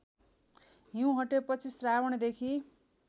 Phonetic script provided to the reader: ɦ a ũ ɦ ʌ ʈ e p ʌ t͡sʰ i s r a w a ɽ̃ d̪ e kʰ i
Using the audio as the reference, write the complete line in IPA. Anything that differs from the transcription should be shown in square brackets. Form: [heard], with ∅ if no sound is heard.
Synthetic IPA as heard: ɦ [i] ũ ɦ ʌ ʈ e p ʌ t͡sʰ i s r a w [ʌ] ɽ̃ d̪ e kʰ i